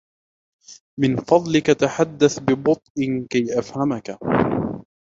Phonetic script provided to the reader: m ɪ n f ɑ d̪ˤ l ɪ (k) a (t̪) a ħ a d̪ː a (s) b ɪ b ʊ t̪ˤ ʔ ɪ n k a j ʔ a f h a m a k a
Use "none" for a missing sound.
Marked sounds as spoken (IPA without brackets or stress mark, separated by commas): k, t̪, θ